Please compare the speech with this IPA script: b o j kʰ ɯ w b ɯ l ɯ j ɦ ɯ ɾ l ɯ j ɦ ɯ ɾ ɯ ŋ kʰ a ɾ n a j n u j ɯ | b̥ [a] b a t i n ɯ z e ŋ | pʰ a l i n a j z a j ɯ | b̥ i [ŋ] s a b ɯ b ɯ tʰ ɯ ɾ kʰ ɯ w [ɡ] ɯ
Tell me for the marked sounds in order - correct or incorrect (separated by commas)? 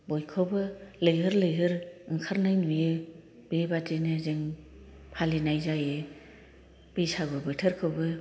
incorrect, incorrect, incorrect